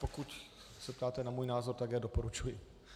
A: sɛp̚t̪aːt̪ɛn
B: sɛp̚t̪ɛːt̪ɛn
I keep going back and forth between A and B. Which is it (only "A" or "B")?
A